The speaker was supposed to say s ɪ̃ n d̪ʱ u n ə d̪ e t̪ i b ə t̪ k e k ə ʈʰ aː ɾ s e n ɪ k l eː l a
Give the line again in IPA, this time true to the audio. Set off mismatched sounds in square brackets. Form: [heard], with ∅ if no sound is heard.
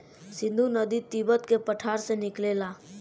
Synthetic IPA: s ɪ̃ n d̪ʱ u n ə d̪ [i] t̪ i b ə t̪ k e [p] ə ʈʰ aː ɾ s e n ɪ k l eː l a